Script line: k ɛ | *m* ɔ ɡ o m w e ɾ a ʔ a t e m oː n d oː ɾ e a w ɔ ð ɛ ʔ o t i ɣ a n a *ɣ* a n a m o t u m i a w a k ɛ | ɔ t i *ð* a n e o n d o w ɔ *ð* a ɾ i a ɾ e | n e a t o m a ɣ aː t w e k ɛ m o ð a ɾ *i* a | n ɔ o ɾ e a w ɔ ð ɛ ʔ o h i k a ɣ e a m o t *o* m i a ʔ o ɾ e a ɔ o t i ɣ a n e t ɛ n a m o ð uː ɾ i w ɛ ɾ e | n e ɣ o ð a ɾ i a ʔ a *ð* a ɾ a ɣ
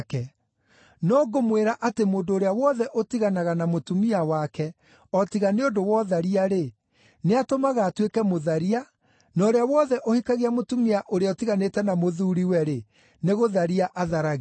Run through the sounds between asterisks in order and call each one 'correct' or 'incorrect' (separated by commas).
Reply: incorrect, correct, incorrect, correct, correct, incorrect, correct